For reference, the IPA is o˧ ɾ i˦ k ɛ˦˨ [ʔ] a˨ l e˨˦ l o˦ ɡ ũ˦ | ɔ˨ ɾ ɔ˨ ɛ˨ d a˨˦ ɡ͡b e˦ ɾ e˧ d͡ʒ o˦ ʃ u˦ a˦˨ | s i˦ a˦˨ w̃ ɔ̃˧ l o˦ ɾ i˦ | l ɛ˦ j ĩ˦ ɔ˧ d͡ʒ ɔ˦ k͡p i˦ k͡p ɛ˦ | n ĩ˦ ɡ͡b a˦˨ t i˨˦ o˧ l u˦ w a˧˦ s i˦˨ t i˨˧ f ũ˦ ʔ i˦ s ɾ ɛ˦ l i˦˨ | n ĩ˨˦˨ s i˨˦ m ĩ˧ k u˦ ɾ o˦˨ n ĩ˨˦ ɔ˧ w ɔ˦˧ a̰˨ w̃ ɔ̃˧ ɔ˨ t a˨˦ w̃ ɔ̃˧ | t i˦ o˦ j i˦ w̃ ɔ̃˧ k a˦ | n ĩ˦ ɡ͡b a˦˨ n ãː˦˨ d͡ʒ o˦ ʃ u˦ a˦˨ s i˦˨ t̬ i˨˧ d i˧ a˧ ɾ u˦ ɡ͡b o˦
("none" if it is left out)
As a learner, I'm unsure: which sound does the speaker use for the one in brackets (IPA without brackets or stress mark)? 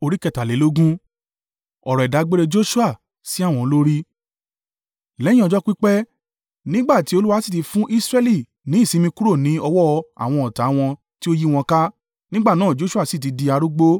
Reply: t